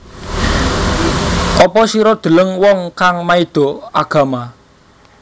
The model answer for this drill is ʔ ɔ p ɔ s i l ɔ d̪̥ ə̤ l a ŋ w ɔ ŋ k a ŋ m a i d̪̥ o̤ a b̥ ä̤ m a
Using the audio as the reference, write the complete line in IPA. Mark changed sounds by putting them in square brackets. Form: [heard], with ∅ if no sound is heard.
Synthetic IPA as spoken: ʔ ɔ p ɔ s i [ɾ] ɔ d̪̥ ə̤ l [ə] ŋ w ɔ ŋ k a ŋ m a i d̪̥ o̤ a [ɡ̥] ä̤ m a